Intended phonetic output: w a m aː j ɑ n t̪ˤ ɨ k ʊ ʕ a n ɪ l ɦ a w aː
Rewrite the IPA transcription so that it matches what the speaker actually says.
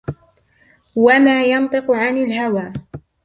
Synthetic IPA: w a m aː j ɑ n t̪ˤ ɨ q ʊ ʕ a n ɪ l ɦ a w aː